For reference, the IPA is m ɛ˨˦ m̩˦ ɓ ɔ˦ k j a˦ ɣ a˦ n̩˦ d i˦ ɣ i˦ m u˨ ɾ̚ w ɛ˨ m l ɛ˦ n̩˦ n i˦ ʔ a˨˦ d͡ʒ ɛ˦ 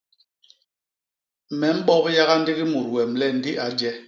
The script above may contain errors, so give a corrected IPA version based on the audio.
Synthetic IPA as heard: m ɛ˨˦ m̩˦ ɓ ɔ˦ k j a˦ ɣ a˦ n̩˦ d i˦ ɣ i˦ m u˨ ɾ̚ w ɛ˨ m l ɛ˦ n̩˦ d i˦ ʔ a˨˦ d͡ʒ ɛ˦